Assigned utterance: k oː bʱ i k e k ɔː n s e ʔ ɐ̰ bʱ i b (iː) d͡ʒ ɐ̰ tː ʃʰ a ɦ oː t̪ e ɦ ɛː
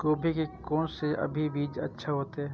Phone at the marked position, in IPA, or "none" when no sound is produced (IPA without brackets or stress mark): iː